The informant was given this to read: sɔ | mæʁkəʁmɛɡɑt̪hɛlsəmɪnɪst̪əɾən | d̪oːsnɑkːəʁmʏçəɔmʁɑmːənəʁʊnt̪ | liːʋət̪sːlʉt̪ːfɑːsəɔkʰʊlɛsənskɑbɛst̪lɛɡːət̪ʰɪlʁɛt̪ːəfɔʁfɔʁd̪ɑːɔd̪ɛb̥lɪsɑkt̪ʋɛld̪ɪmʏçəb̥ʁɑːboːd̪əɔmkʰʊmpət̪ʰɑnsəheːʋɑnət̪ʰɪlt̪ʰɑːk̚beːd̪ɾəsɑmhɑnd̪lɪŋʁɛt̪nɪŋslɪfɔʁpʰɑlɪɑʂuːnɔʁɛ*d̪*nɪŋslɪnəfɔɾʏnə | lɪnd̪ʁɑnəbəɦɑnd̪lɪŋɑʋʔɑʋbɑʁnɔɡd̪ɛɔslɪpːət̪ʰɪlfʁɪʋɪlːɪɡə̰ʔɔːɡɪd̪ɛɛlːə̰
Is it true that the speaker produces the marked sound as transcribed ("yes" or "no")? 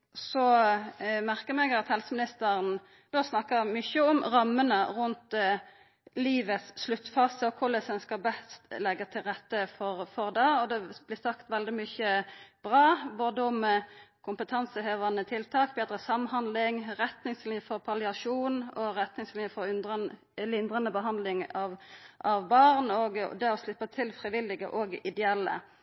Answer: no